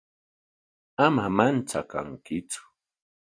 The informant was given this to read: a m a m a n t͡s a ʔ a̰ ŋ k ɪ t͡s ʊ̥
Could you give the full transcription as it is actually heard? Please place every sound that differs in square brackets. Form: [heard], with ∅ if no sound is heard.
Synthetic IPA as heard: a m a m a n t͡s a [k] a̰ ŋ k ɪ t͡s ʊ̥